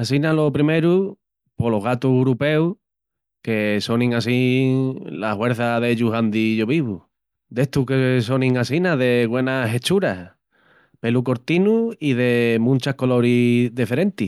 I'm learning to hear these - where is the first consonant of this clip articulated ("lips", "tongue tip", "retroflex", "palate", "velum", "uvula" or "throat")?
tongue tip